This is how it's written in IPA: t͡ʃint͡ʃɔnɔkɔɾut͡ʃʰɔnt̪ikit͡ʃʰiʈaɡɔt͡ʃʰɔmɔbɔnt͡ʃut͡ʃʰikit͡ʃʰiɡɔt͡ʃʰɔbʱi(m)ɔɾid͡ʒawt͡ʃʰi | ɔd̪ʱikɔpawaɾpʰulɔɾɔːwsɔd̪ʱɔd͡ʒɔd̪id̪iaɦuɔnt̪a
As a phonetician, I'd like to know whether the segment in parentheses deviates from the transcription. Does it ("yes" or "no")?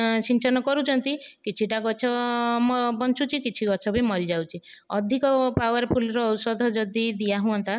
no